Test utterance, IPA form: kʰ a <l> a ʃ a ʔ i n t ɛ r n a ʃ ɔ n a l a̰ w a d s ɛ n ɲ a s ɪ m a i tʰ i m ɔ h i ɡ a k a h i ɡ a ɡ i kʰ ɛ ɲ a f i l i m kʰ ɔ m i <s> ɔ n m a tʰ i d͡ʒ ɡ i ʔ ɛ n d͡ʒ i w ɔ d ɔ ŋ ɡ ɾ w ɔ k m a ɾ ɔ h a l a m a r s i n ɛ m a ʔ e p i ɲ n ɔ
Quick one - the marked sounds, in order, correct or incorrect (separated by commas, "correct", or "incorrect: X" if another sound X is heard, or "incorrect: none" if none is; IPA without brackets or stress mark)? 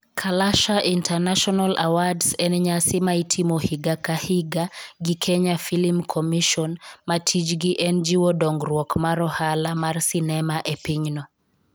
correct, incorrect: ʃ